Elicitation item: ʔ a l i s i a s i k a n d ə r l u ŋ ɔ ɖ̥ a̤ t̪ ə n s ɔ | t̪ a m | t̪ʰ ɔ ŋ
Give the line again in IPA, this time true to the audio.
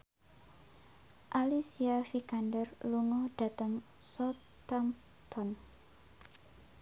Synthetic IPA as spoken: ʔ a l i s i a f i k a n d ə r l u ŋ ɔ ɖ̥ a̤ t̪ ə ŋ s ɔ | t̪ a m | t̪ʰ ɔ n